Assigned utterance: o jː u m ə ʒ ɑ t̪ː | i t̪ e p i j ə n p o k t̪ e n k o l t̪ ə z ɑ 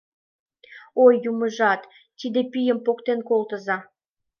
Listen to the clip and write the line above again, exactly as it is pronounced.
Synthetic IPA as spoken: o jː u m ə ʒ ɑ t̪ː | i d̪ e p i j ə m p o k t̪ e n k o l t̪ ə z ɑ